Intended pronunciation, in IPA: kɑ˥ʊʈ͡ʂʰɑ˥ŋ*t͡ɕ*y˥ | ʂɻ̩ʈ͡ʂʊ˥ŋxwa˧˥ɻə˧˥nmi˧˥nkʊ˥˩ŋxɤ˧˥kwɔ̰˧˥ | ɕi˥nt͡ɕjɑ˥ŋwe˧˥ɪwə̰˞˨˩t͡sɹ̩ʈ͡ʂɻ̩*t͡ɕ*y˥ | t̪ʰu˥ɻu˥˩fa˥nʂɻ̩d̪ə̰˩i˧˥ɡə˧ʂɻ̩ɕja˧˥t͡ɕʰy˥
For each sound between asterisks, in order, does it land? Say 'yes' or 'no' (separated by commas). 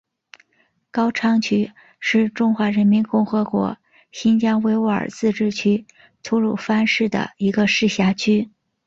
no, no